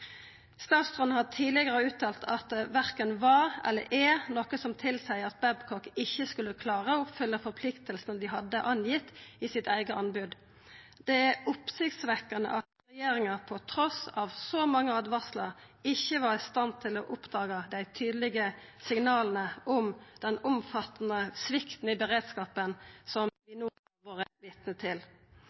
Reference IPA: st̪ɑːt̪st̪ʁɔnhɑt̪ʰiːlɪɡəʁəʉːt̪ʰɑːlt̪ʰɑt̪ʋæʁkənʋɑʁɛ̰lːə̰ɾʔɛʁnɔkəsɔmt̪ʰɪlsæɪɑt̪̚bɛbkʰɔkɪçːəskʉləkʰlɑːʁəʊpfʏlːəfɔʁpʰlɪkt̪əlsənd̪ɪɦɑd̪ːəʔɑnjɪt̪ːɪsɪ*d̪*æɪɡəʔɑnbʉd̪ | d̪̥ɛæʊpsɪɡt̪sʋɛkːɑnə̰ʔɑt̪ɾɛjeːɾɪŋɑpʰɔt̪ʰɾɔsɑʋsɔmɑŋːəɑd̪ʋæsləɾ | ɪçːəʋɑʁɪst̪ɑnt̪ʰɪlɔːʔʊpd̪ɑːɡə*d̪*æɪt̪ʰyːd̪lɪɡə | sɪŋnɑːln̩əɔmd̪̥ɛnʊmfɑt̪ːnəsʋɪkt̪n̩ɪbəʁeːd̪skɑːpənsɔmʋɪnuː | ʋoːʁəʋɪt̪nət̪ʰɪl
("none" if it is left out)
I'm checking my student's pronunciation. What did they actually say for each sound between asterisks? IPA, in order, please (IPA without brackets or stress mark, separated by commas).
t̪, d̪